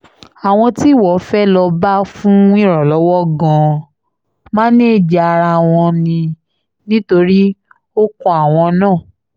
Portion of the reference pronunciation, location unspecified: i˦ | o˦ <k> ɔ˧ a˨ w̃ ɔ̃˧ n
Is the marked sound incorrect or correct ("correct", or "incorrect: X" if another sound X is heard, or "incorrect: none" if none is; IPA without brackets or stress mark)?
correct